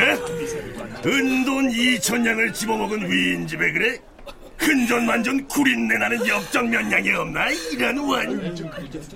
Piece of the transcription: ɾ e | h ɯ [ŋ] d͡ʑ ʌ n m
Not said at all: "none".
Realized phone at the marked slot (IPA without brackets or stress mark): n